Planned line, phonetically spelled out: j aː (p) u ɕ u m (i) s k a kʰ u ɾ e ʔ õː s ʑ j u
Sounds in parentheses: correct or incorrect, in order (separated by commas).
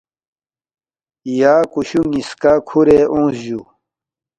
incorrect, correct